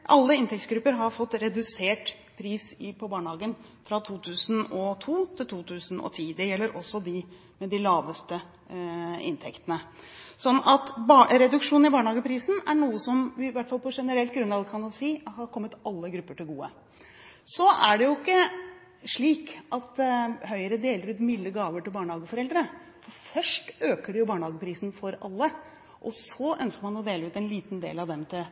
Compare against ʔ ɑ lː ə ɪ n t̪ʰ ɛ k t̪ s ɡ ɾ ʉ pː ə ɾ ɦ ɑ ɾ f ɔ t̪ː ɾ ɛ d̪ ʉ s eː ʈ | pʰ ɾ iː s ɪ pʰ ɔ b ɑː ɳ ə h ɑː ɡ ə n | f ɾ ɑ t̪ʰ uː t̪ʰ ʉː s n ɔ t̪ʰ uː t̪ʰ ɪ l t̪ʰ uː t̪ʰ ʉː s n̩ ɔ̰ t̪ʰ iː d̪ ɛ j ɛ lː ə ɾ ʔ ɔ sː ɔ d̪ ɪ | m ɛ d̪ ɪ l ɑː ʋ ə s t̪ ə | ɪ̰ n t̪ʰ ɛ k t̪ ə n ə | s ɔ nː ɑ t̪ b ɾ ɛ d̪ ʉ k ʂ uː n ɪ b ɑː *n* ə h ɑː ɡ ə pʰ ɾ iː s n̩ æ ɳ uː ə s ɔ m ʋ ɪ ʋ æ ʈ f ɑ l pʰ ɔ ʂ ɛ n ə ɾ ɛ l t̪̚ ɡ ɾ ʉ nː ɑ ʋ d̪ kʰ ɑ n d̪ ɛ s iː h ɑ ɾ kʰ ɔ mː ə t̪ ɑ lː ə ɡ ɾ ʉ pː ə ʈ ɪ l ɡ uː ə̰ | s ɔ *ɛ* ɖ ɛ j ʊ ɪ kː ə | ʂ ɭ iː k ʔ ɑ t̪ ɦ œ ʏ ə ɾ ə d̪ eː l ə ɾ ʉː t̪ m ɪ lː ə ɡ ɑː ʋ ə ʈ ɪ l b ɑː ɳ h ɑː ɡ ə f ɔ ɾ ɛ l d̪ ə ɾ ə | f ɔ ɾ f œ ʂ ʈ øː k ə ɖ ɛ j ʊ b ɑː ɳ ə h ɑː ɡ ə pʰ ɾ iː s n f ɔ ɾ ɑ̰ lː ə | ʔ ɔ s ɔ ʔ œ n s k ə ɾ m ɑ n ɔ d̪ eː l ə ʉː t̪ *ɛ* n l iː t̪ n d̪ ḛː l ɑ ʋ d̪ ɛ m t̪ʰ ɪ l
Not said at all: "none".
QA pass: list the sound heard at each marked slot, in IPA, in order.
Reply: ɳ, æ, ɛ

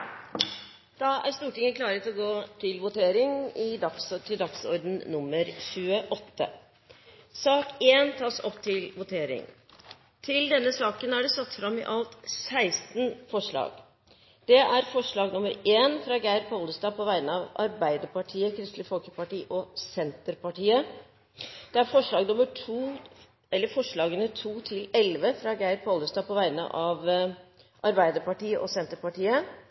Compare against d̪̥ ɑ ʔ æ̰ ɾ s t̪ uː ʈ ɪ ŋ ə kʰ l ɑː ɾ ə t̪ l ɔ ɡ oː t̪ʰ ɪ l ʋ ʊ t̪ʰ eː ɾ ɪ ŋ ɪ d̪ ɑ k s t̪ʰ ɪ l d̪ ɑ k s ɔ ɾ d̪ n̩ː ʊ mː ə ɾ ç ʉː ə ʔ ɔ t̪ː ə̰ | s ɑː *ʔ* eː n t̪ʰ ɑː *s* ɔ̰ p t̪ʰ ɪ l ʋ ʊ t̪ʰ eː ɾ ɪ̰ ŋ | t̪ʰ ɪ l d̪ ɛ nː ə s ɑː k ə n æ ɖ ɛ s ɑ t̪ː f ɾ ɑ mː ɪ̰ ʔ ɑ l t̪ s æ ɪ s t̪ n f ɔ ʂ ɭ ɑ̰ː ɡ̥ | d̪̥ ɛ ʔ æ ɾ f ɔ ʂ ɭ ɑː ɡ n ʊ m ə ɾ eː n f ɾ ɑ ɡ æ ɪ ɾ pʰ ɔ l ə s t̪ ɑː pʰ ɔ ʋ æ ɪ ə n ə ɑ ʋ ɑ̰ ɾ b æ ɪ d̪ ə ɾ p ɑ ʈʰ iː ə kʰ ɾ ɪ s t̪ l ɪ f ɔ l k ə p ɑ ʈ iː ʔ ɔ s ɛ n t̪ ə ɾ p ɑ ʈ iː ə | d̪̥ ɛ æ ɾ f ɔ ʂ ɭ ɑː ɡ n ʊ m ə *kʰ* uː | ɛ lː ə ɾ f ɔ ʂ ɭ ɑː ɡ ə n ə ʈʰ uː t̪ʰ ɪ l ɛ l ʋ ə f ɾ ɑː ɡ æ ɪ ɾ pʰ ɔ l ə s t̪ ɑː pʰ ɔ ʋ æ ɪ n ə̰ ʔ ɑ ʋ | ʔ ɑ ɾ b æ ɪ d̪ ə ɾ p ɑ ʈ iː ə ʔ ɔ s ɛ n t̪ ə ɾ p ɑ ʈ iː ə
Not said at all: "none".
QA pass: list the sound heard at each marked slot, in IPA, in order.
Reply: k, s, ʈʰ

